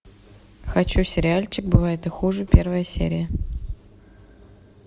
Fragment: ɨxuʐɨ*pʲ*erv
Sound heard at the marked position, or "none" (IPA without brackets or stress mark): pʲ